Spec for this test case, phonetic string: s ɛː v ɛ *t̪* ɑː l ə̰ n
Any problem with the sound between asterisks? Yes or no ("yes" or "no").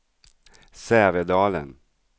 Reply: yes